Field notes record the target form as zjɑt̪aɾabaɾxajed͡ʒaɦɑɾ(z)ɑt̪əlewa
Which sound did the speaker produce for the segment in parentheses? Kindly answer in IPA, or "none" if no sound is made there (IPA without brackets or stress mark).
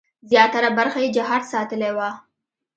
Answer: s